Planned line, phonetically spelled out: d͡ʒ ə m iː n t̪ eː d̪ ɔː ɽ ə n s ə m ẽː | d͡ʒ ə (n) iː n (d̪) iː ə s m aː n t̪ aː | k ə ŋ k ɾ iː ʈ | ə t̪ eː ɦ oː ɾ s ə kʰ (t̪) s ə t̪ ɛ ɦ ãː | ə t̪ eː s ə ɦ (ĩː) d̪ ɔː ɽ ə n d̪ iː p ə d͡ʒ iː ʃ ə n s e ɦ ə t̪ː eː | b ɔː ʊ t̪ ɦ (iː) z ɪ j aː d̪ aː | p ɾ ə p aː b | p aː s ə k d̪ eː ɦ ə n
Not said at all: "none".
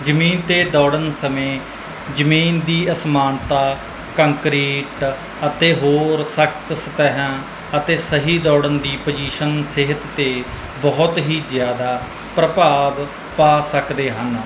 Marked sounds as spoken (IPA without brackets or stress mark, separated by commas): m, d̪, t̪, iː, iː